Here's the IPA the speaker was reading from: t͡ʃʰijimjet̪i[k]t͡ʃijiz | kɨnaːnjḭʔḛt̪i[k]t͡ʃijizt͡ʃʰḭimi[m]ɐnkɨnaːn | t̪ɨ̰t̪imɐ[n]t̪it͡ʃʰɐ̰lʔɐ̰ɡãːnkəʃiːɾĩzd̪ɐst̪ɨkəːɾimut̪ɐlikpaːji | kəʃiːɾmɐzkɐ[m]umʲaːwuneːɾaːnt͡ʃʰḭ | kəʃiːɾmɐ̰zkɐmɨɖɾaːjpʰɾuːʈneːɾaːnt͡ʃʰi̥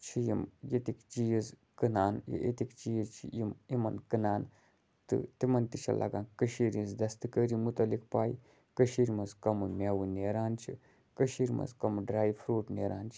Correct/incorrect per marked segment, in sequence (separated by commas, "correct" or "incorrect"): correct, correct, correct, correct, correct